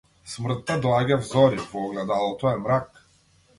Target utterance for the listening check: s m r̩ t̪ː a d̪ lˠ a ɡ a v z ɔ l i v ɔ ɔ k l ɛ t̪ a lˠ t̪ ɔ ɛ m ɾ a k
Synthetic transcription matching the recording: s m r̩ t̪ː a d̪ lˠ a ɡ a v z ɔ ɾ i v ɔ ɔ ɡ l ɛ d̪ a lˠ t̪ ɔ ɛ m ɾ a k